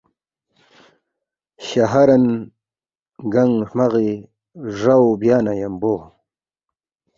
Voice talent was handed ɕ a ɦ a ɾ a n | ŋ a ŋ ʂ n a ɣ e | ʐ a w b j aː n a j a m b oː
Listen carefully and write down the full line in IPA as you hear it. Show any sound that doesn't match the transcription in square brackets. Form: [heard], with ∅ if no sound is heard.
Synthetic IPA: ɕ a ɦ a ɾ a n | [ɡ] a ŋ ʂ [m] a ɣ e | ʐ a w b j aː n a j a m b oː